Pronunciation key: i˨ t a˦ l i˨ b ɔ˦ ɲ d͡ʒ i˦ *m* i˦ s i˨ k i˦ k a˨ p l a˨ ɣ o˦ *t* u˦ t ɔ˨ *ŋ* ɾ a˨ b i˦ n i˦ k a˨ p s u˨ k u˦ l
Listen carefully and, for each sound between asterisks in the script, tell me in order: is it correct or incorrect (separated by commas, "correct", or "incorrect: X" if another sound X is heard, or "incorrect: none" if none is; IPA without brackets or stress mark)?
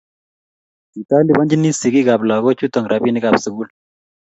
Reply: incorrect: n, incorrect: t͡ʃ, correct